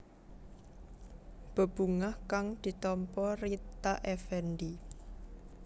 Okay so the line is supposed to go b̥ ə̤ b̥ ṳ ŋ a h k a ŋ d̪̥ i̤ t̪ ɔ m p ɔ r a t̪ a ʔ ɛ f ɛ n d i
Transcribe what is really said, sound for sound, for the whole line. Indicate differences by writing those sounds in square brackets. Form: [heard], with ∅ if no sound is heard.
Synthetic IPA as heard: b̥ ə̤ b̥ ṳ ŋ a h k a ŋ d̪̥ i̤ t̪ ɔ m p ɔ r [i] t̪ a ʔ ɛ f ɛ n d i